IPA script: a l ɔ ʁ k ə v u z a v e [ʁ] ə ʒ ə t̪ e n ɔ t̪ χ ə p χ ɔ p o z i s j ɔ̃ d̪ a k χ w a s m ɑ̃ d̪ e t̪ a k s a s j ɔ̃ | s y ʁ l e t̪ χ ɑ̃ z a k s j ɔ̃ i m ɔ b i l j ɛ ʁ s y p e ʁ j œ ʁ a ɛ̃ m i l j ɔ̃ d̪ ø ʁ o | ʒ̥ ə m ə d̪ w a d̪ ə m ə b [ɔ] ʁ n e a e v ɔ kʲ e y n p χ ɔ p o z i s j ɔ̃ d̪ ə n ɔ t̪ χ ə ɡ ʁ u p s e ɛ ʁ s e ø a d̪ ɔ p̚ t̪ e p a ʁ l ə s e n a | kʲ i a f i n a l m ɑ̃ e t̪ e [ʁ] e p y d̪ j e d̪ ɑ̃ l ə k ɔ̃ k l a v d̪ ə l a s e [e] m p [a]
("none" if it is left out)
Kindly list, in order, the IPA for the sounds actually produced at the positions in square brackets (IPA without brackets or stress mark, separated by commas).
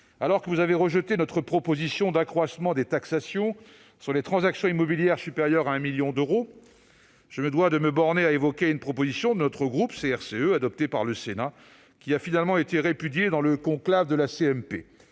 ʁ, ɔ, ʁ, ɛ, e